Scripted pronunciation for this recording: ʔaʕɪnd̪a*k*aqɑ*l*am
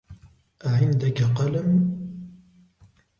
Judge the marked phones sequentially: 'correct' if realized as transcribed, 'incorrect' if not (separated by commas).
correct, correct